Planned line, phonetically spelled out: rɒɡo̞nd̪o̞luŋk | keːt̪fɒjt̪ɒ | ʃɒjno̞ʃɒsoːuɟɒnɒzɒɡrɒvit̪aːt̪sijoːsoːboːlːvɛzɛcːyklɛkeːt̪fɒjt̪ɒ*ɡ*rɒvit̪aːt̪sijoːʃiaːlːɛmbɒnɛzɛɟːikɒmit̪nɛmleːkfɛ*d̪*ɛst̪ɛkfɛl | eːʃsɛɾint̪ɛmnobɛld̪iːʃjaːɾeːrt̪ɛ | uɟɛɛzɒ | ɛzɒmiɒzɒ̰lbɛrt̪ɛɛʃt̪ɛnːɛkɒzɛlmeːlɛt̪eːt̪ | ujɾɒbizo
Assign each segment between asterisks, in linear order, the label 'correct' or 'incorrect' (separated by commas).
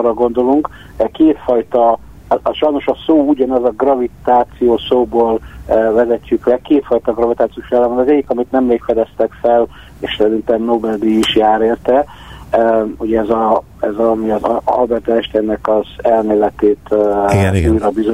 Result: correct, correct